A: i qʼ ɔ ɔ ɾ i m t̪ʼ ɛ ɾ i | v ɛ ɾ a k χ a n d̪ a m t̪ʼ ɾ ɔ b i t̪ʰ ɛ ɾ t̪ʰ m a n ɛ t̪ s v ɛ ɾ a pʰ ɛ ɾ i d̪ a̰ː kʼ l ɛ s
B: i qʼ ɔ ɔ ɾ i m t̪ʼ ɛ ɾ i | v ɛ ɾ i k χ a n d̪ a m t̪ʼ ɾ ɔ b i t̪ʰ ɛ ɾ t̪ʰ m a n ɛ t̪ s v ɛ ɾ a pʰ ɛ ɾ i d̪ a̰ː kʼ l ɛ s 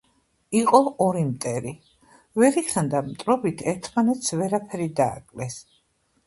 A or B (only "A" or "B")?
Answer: B